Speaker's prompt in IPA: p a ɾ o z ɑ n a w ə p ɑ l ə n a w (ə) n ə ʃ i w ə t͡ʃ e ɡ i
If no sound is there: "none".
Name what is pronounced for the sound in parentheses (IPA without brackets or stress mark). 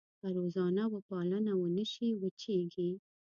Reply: ə